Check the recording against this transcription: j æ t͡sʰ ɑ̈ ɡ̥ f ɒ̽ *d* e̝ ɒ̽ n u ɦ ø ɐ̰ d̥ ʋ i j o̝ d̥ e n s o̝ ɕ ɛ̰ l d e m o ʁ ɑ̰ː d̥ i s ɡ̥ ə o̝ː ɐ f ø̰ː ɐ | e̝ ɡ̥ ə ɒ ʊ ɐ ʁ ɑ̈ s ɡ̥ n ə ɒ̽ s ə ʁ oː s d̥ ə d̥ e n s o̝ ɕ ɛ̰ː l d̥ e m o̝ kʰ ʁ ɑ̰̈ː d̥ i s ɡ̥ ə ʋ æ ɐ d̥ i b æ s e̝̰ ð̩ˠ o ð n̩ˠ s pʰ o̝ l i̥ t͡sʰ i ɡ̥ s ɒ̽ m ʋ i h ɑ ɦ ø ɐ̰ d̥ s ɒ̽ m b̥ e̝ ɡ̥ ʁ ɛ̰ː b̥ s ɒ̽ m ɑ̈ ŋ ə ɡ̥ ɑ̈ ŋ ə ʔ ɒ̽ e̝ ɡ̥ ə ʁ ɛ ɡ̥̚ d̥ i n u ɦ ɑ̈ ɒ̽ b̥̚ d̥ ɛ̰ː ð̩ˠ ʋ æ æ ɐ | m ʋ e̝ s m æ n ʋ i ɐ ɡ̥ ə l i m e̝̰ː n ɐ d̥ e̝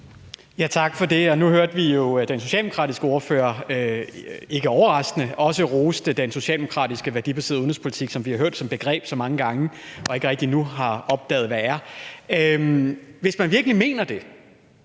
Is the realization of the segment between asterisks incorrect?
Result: no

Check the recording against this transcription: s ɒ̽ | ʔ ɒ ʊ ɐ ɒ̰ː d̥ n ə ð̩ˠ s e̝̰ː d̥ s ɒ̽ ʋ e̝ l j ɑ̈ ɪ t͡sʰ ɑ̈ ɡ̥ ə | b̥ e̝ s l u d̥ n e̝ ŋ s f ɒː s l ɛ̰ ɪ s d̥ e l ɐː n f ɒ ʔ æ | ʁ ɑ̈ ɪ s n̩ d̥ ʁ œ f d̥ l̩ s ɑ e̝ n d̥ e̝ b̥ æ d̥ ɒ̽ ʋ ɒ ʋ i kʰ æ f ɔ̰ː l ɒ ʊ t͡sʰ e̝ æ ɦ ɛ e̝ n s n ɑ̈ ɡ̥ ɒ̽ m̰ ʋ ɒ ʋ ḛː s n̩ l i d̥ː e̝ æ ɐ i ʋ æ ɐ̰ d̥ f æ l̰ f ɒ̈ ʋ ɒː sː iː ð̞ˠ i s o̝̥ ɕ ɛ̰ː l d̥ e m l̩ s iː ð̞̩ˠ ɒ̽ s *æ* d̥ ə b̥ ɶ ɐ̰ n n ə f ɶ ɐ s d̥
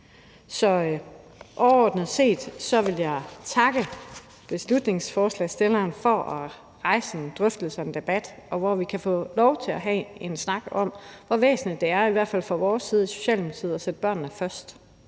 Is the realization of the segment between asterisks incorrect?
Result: yes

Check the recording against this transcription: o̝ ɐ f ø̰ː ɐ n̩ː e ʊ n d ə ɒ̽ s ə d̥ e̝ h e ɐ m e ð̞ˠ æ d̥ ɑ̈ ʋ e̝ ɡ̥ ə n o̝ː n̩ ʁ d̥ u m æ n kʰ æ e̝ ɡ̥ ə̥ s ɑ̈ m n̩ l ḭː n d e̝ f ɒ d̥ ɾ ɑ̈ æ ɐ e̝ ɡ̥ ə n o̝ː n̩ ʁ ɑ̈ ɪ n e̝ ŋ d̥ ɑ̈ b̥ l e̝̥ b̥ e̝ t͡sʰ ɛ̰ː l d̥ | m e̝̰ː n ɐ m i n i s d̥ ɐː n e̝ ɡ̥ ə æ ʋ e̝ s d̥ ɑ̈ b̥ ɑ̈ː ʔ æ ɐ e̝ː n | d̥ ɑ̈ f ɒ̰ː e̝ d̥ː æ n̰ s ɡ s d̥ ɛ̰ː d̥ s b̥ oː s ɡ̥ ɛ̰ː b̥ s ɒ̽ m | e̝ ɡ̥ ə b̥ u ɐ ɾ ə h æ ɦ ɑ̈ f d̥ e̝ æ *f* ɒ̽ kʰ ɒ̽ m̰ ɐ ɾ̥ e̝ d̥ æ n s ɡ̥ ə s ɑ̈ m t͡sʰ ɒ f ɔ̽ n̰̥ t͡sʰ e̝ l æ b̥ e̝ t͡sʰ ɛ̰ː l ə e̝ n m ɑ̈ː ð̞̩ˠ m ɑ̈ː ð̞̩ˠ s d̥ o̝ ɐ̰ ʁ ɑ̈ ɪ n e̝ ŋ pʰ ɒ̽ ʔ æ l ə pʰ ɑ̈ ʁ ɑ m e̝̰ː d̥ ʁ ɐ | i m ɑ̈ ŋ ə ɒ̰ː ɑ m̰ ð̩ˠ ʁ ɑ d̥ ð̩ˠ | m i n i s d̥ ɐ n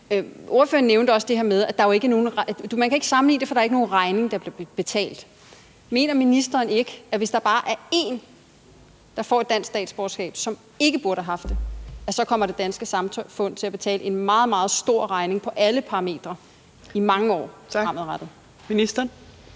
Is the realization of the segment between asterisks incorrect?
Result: yes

